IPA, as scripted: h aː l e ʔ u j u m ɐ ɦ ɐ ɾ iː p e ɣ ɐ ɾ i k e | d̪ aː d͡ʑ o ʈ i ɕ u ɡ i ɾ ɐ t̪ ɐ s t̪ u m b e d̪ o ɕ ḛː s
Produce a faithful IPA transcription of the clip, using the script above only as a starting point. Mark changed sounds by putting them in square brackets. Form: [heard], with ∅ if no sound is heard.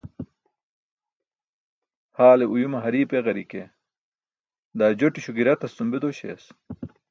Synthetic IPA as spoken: h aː l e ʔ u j u m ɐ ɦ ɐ ɾ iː p e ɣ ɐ ɾ i k e | d̪ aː d͡ʑ o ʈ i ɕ u ɡ i ɾ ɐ t̪ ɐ s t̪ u m b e d̪ o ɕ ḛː s